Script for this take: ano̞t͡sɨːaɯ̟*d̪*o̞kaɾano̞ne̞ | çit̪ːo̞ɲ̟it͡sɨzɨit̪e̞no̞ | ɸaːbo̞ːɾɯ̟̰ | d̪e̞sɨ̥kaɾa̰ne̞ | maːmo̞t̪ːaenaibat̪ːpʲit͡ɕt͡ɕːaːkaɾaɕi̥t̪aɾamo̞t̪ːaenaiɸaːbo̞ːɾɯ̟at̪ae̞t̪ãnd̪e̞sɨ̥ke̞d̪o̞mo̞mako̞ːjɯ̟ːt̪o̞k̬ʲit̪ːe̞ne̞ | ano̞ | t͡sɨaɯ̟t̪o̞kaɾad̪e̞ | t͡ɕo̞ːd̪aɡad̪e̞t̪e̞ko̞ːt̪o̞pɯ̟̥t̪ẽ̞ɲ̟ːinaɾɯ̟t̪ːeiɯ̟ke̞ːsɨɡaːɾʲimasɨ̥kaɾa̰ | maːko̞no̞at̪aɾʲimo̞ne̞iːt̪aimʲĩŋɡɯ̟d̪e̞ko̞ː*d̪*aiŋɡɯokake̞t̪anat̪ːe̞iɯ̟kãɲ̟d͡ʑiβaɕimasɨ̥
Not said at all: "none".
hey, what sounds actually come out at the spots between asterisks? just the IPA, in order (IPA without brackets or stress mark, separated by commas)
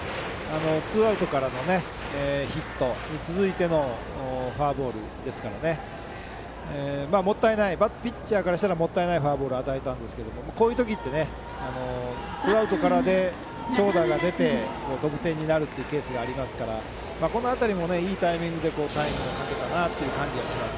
t̪, t̪